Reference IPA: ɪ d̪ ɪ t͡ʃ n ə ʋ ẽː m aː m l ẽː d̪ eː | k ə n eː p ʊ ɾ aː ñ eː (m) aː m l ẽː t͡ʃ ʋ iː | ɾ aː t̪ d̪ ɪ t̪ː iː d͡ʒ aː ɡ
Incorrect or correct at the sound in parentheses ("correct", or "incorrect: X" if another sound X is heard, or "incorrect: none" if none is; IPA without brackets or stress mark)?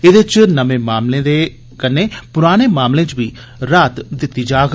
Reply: correct